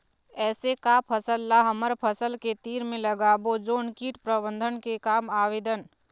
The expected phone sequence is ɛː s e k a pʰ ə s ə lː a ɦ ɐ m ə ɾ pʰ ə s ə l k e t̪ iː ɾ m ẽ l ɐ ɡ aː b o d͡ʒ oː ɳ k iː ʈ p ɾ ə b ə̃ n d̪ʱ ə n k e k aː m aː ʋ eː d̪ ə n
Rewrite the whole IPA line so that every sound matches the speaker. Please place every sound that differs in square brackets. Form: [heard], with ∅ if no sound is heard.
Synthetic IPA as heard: ɛː s e k a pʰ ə s ə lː a ɦ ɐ m ə ɾ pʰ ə s ə l k e t̪ iː ɾ m ẽ l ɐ ɡ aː b o d͡ʒ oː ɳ k iː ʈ p ɾ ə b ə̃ n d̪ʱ ə n k e k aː m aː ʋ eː d̪ ə n